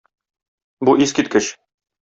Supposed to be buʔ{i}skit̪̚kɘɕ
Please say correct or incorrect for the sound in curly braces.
correct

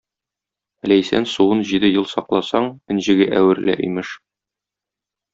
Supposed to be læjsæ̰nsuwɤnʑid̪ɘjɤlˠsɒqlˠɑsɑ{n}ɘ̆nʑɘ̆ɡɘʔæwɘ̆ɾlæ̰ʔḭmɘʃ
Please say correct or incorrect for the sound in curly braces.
incorrect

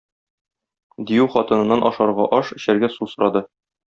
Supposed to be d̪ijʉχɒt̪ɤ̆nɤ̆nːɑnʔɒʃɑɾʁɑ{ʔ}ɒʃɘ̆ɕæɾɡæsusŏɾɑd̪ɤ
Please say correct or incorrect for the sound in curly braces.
correct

